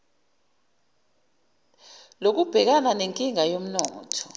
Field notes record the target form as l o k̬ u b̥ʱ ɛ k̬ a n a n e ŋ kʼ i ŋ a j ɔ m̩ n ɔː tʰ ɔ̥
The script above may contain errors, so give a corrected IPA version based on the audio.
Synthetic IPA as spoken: l o k̬ u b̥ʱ ɛ k̬ a n a n e ŋ kʼ i ŋ a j o m̩ n ɔː tʰ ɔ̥